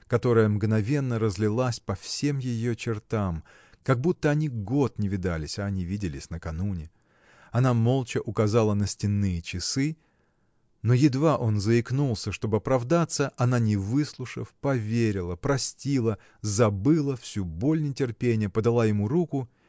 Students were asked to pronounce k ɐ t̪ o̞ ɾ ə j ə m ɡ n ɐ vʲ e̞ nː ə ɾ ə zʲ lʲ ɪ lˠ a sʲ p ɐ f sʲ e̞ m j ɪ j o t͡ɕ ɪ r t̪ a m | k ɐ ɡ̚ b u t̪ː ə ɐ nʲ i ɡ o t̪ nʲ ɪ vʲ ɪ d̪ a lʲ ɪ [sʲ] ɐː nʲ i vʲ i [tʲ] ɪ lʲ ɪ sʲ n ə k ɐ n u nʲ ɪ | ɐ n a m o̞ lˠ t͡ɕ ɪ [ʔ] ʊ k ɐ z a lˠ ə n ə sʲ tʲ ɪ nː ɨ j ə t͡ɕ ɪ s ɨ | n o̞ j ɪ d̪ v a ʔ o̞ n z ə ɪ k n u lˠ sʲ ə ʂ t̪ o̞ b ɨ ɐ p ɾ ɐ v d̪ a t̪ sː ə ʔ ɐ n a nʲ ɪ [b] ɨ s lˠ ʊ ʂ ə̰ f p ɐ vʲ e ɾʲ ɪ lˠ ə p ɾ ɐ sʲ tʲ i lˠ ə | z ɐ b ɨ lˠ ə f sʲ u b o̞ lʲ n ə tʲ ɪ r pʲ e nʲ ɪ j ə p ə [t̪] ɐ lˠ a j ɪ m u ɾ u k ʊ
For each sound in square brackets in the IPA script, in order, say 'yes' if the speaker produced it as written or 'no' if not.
yes, no, yes, no, no

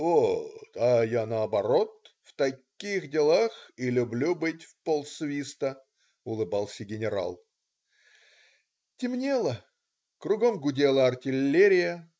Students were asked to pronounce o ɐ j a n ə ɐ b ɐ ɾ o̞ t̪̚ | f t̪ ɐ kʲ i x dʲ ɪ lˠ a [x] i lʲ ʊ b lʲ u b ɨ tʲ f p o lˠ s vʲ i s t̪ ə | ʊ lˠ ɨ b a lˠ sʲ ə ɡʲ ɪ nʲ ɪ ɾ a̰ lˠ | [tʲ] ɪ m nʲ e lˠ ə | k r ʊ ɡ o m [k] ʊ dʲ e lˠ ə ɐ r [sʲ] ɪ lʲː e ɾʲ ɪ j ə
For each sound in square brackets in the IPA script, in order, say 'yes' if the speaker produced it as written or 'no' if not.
yes, yes, no, no

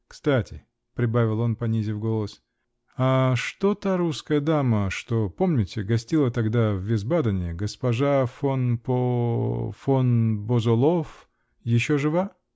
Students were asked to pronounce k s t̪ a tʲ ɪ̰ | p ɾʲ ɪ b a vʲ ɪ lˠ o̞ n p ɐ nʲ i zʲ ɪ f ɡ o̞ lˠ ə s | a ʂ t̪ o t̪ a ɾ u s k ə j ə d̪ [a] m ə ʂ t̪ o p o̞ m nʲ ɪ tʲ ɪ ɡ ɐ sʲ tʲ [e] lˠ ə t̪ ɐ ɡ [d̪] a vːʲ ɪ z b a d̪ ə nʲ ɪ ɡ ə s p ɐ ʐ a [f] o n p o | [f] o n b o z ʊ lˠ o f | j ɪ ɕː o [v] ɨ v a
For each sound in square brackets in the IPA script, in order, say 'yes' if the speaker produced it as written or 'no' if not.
yes, no, yes, yes, yes, no

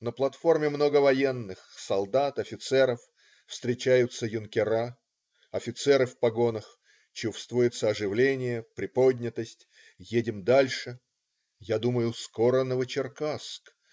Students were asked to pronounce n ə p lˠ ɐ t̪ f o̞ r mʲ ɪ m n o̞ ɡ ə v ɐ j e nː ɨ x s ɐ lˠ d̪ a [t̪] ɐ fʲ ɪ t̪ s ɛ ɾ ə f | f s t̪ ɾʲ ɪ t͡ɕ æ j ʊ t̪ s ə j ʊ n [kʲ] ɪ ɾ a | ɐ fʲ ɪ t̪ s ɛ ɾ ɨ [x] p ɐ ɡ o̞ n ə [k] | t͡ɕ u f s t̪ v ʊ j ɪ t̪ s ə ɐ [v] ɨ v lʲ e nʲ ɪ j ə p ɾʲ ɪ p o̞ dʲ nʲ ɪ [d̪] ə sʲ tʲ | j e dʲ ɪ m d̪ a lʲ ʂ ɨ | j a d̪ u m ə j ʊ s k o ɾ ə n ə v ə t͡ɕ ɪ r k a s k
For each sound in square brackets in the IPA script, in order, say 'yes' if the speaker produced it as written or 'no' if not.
yes, yes, no, no, no, no

